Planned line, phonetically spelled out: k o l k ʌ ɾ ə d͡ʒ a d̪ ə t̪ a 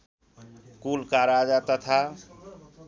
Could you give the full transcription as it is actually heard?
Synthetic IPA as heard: k u l k a ɾ a d͡ʒ a t̪ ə t̪ʰ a